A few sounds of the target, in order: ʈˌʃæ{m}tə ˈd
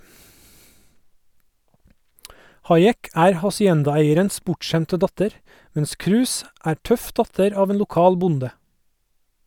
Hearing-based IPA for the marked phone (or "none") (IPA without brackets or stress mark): m